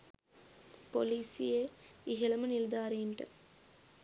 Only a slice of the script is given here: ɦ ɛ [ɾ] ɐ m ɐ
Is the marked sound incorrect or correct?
incorrect: l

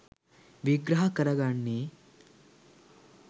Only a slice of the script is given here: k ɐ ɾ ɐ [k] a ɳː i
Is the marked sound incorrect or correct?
incorrect: ɡ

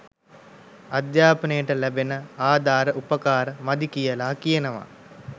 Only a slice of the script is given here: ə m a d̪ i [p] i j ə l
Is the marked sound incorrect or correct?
incorrect: k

